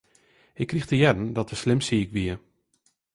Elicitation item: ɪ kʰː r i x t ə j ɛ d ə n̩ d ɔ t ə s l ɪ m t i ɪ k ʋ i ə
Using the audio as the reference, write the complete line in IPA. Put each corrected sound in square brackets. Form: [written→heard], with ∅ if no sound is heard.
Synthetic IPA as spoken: ɪ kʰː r i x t ə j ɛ d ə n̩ d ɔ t ə s l ɪ m [t→s] i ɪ k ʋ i ə

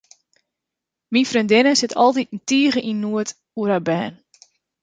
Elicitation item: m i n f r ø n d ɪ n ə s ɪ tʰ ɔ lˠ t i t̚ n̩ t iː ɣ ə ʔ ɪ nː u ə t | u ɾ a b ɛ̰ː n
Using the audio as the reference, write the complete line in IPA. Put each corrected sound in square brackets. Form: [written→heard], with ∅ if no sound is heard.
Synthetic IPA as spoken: m i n f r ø n d ɪ n ə s ɪ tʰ ɔ lˠ t i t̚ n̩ t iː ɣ ə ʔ [ɪ→i] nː u ə t | u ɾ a b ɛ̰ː n

